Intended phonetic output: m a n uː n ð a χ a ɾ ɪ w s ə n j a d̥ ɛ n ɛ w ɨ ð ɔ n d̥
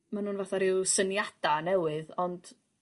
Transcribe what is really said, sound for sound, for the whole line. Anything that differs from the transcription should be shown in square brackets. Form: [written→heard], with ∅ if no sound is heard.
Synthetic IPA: m a n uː n [ð→v] a [χ→θ] a ɾ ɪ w s ə n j a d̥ [ɛ→a] n ɛ w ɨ ð ɔ n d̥